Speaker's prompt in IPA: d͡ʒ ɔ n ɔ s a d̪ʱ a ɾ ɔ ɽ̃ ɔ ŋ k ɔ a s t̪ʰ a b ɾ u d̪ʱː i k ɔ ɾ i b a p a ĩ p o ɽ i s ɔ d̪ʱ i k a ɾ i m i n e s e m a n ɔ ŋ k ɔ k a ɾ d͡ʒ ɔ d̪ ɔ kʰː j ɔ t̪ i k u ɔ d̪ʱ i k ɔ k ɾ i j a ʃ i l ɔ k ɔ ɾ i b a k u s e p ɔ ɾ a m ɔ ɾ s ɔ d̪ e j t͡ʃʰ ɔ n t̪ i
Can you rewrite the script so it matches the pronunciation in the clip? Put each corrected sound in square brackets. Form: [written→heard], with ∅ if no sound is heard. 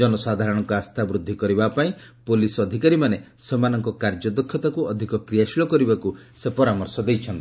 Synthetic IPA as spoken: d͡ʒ ɔ n ɔ s a d̪ʱ a ɾ ɔ ɽ̃ ɔ ŋ k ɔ a s t̪ʰ a b ɾ u d̪ʱː i k ɔ ɾ i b a p a ĩ p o [ɽ→l] i s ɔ d̪ʱ i k a ɾ i m [i→a] n e s e m a n ɔ ŋ k ɔ k a ɾ d͡ʒ ɔ d̪ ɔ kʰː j ɔ t̪ [i→a] k u ɔ d̪ʱ i k ɔ k ɾ i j a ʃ i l ɔ k ɔ ɾ i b a k u s e p ɔ ɾ a m ɔ ɾ s ɔ d̪ e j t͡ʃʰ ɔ n t̪ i